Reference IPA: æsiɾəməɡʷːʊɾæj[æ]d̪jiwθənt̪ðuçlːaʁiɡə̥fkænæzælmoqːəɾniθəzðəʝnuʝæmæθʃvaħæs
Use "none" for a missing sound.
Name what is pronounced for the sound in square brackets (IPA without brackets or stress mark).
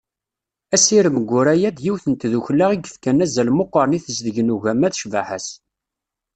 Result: æ